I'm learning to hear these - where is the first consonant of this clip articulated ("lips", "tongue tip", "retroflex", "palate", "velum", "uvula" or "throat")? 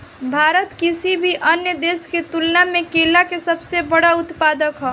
lips